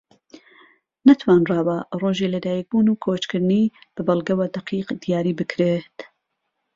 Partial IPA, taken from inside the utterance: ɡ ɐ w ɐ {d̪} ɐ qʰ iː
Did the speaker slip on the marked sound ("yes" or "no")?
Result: no